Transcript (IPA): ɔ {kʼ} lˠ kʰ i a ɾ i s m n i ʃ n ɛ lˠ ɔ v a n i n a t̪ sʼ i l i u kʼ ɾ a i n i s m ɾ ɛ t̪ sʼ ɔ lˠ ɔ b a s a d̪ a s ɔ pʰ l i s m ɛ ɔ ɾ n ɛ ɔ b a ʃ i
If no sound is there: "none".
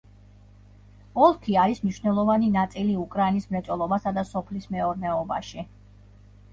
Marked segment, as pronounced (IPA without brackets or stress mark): none